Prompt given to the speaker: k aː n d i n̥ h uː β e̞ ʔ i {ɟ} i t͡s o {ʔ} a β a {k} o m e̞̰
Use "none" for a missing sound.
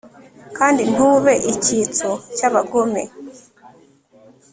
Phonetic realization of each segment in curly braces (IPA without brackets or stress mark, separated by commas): c, c, ɡ